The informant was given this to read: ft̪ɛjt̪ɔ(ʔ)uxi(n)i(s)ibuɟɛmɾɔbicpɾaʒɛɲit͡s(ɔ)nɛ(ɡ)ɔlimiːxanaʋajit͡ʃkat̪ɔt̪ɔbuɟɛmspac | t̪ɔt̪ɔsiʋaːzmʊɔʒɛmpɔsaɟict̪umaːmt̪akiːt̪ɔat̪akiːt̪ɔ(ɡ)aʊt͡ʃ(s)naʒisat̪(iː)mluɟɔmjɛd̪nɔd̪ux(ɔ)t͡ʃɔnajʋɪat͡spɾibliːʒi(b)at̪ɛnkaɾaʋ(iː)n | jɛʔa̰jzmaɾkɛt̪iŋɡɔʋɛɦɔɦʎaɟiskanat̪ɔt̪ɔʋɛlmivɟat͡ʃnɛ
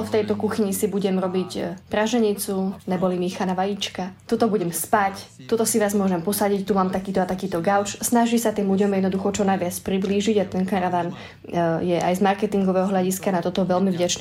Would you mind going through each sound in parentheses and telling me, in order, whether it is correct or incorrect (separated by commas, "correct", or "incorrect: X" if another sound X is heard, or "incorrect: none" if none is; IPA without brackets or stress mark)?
incorrect: k, incorrect: ɲ, correct, incorrect: u, incorrect: b, correct, correct, correct, correct, incorrect: ɟ, incorrect: aː